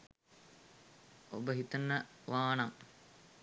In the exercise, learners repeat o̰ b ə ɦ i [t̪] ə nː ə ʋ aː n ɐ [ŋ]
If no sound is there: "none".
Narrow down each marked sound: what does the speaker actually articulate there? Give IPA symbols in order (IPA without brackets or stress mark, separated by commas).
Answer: t̪, ŋ